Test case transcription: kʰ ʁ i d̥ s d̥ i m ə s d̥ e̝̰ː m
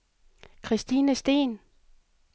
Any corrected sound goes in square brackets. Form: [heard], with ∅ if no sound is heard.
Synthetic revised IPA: kʰ ʁ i [∅] s d̥ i [n] ə s d̥ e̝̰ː [n]